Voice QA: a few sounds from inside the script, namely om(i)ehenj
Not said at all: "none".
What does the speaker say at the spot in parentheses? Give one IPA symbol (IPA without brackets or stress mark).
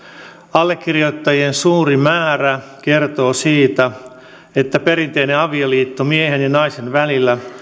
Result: i